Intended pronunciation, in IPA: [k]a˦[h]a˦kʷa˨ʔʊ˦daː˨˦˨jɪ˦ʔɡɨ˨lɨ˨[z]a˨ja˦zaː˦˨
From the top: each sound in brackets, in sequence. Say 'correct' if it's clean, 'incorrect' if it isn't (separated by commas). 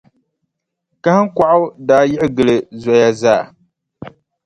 correct, correct, correct